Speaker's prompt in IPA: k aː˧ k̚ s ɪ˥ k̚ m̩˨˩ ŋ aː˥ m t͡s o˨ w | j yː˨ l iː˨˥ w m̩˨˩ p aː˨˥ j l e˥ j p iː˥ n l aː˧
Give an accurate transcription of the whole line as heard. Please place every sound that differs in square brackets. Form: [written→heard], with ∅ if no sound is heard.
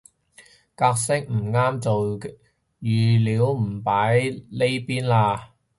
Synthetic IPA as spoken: k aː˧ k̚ s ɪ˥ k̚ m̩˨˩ ŋ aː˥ m t͡s o˨ w | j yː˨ l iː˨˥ w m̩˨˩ p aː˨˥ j l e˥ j p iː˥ n l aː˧

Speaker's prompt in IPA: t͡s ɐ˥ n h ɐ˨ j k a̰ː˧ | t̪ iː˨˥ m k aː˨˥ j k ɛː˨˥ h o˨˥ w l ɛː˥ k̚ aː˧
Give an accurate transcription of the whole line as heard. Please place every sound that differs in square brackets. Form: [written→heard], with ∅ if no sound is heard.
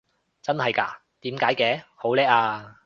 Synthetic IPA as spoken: t͡s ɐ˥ n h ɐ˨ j k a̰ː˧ | t̪ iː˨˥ m k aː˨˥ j k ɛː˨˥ h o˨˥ w l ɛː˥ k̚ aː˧

